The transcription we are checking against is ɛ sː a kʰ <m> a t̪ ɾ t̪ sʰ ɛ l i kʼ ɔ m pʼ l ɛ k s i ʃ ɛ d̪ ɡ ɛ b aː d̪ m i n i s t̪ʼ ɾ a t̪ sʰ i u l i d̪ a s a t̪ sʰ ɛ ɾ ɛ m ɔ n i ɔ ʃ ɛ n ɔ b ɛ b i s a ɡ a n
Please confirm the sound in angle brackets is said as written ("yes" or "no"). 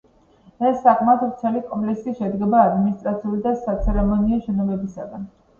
yes